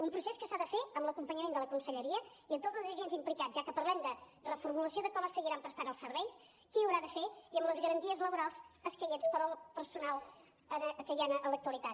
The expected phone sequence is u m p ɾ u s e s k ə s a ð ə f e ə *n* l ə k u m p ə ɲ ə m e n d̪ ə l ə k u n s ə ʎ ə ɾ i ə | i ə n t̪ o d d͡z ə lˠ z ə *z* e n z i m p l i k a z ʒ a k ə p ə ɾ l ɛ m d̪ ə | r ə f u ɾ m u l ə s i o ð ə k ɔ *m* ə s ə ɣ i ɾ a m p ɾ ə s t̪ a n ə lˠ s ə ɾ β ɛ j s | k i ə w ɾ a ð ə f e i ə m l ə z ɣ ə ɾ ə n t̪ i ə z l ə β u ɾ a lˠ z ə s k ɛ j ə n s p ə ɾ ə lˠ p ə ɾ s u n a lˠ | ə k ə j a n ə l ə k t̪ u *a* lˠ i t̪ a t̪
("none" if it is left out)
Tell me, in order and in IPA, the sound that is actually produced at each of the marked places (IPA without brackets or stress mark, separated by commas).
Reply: m, ʒ, m, ə